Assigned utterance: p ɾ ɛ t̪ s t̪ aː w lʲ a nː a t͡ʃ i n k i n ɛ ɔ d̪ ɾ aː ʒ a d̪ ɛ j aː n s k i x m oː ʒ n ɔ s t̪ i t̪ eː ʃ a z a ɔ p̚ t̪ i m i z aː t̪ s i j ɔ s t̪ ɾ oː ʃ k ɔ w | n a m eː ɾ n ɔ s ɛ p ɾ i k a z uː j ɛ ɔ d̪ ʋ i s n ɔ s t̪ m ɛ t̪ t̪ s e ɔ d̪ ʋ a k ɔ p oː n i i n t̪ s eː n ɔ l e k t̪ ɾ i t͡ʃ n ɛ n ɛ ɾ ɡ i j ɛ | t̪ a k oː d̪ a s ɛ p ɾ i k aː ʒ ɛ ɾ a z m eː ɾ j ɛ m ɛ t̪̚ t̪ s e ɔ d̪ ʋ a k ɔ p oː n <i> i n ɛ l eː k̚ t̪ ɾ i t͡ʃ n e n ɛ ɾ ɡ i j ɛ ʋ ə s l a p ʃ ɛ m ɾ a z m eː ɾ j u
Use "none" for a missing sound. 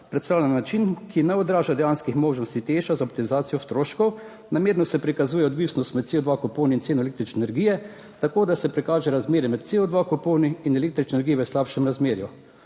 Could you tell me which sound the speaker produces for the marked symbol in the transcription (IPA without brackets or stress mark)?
i